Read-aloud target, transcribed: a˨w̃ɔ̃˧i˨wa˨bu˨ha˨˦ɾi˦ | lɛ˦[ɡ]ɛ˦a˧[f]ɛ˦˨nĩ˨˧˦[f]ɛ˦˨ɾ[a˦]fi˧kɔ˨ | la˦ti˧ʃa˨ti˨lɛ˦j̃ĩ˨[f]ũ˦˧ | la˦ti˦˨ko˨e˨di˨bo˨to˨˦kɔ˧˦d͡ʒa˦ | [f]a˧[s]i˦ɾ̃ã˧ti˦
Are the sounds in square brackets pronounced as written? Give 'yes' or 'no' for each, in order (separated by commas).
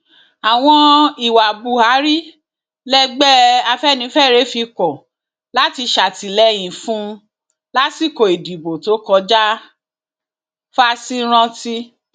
no, yes, yes, no, yes, yes, yes